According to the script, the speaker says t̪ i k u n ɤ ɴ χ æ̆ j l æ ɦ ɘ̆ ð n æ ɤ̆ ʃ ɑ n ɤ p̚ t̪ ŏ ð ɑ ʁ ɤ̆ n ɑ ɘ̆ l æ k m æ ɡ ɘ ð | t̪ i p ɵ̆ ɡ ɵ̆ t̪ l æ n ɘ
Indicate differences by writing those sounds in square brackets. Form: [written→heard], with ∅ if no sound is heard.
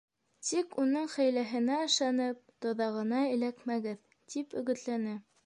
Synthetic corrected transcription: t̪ i k u n ɤ ɴ χ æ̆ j l æ ɦ ɘ̆ [ð→∅] n æ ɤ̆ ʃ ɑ n ɤ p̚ t̪ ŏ ð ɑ ʁ ɤ̆ n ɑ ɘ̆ l æ k m æ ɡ ɘ ð | t̪ i p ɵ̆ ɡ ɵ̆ t̪ l æ n ɘ

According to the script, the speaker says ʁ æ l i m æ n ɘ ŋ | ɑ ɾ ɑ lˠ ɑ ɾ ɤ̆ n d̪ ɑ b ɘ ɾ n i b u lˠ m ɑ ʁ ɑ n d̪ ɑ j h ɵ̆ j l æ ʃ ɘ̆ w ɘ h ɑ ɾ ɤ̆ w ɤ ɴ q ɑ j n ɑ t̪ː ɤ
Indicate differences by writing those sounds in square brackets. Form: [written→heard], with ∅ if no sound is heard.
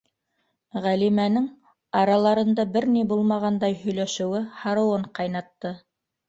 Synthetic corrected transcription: ʁ æ l i m æ n ɘ ŋ | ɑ ɾ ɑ lˠ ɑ ɾ ɤ̆ n d̪ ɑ b ɘ ɾ n i b u lˠ m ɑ ʁ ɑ n d̪ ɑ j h ɵ̆ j l æ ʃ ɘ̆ w ɘ h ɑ ɾ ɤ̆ w ɤ ɴ q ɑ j n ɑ t̪ː ɤ

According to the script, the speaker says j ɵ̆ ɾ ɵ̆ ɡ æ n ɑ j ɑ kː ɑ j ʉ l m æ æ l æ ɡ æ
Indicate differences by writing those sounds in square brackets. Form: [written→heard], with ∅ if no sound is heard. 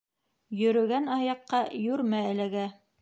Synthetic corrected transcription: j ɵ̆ ɾ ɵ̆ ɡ æ n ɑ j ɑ [kː→qː] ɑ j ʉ [l→ɾ] m æ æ l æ ɡ æ

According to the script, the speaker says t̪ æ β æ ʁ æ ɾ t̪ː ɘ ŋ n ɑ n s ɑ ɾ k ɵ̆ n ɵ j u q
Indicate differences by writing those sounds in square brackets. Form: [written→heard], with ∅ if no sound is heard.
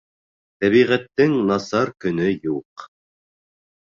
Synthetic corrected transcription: t̪ æ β [æ→i] ʁ æ [ɾ→∅] t̪ː ɘ ŋ n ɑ [n→∅] s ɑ ɾ k ɵ̆ n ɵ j u q

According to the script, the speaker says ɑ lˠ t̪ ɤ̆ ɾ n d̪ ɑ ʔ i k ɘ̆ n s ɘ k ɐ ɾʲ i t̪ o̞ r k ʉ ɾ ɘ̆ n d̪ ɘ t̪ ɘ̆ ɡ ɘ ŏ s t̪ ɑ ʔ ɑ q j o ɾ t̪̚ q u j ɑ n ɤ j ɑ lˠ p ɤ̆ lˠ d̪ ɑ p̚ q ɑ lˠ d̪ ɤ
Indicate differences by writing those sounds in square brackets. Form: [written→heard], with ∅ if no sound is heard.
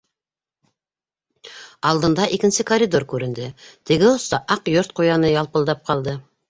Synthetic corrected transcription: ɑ lˠ [t̪→d̪] ɤ̆ [ɾ→∅] n d̪ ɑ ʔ i k ɘ̆ n s ɘ k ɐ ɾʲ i [t̪→d̪] o̞ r k ʉ ɾ ɘ̆ n d̪ ɘ t̪ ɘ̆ ɡ ɘ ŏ s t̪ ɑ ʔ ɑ q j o ɾ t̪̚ q u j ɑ n ɤ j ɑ lˠ p ɤ̆ lˠ d̪ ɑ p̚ q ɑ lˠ d̪ ɤ

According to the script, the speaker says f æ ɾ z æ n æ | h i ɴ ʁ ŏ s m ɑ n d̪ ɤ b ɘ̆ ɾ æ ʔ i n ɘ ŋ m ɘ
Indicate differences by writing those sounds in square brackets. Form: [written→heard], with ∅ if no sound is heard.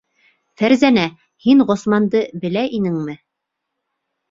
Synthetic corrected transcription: f æ ɾ z æ n æ | h i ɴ ʁ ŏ s m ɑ n d̪ ɤ b ɘ̆ [ɾ→l] æ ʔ i n ɘ ŋ m ɘ

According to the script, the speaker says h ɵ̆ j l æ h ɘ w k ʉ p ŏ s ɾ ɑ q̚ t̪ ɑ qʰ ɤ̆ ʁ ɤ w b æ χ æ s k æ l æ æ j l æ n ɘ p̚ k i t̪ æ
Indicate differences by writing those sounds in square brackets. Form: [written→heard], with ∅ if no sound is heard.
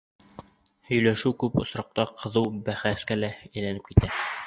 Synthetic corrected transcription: h ɵ̆ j l æ [h→ʃ] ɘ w k ʉ p ŏ s ɾ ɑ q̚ t̪ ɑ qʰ ɤ̆ [ʁ→ð] ɤ w b æ χ æ s k æ l æ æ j l æ n ɘ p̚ k i t̪ æ

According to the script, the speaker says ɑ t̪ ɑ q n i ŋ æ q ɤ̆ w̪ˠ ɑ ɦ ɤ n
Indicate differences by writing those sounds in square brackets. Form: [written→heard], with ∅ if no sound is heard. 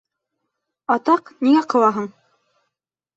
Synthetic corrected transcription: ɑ t̪ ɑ q n i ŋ æ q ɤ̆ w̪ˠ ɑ ɦ ɤ [n→ɴ]

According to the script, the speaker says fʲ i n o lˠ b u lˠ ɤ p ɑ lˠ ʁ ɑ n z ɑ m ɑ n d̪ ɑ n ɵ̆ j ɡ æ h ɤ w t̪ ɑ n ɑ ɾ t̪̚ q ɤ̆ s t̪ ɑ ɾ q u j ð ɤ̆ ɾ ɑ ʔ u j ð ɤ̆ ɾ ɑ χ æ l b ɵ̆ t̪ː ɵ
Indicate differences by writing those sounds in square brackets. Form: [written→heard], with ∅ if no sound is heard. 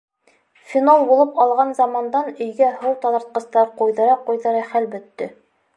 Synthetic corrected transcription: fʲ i n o lˠ b u lˠ ɤ p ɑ lˠ ʁ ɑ n z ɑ m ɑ n d̪ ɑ n ɵ̆ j ɡ æ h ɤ w t̪ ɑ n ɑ ɾ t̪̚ q ɤ̆ s t̪ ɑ ɾ q u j ð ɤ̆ ɾ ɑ [ʔ→q] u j ð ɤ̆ ɾ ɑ χ æ l b ɵ̆ t̪ː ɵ

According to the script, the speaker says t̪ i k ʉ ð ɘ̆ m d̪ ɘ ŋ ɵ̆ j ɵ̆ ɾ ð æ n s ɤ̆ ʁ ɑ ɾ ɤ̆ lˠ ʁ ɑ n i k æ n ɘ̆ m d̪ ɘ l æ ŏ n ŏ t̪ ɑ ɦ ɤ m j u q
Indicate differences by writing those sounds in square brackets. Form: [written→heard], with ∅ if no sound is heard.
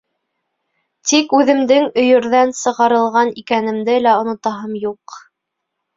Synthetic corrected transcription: t̪ i k ʉ ð ɘ̆ m d̪ ɘ ŋ ɵ̆ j ɵ̆ ɾ ð æ n s ɤ̆ ʁ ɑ ɾ ɤ̆ lˠ ʁ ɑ n i k æ n ɘ̆ m d̪ ɘ l æ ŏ n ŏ t̪ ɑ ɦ ɤ m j u q

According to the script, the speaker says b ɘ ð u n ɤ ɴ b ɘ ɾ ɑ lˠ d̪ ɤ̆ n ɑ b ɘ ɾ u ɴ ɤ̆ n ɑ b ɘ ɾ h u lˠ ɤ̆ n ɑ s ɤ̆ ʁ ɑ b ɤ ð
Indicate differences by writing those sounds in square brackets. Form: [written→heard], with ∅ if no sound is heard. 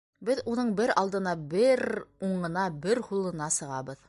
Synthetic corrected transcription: b ɘ ð u n ɤ ɴ b ɘ ɾ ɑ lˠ d̪ ɤ̆ n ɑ b ɘ ɾ u ɴ ɤ̆ n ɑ b ɘ ɾ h u lˠ ɤ̆ n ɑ s ɤ̆ ʁ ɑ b ɤ ð

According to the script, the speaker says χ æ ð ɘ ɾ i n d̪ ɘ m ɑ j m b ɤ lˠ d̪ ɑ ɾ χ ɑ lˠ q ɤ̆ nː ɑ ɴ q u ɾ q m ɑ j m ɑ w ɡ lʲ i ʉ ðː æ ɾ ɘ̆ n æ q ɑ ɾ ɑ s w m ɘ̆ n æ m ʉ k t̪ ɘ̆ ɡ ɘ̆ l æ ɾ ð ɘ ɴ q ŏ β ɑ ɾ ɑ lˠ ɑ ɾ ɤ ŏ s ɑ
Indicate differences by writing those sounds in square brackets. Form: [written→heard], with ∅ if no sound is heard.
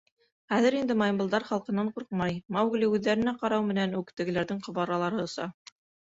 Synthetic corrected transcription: χ æ ð ɘ ɾ i n d̪ ɘ m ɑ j m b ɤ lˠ d̪ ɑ ɾ χ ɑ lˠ q ɤ̆ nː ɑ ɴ q u ɾ q m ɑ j m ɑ w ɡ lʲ i ʉ ðː æ ɾ ɘ̆ n æ q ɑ ɾ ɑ [s→∅] w m ɘ̆ n æ [m→n] ʉ k t̪ ɘ̆ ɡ ɘ̆ l æ ɾ ð ɘ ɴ q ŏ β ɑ ɾ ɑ lˠ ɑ ɾ ɤ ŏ s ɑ

